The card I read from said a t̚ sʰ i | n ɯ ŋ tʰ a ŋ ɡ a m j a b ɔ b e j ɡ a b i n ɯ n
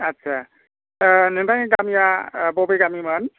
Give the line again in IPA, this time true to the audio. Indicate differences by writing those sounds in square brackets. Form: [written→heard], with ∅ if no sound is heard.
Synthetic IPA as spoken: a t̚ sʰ [i→a] | n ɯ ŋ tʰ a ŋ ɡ a m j a b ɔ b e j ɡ a [b→m] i [n→m] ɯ n